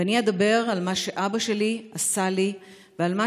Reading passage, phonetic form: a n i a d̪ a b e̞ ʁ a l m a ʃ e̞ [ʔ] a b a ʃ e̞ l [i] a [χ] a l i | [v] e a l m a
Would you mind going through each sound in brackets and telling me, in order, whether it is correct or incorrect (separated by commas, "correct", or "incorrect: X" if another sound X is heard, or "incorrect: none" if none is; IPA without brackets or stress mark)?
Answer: correct, correct, incorrect: s, correct